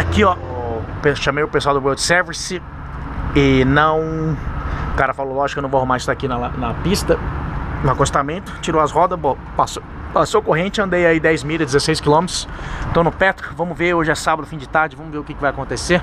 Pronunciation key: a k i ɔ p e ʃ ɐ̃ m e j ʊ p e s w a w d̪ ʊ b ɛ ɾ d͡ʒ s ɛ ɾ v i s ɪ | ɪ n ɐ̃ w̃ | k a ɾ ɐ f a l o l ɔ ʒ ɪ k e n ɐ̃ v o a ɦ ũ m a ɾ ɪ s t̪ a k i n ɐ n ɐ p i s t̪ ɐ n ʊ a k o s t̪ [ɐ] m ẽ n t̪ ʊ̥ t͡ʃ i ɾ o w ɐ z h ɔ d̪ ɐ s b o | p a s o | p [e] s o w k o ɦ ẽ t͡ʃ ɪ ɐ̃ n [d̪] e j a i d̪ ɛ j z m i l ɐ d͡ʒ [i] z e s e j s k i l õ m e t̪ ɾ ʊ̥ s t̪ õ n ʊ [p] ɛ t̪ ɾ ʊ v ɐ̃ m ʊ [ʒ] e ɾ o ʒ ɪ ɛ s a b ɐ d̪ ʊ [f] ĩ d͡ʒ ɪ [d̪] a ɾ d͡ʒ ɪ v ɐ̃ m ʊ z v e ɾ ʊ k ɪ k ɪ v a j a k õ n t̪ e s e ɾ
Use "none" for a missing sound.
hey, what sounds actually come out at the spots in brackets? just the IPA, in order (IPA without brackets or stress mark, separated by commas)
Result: a, a, d̪, ɪ, p, v, f, t̪